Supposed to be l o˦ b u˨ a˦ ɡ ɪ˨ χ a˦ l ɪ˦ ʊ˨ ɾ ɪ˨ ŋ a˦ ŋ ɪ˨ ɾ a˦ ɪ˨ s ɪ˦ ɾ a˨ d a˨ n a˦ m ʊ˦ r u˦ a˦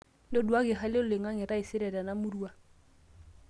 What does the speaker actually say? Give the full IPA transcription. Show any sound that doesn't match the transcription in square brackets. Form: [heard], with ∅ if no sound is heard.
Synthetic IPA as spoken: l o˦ [d] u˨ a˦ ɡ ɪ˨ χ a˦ l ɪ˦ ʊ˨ [l] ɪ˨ ŋ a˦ ŋ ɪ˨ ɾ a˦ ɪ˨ s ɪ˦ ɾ [ɛ˨] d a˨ n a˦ m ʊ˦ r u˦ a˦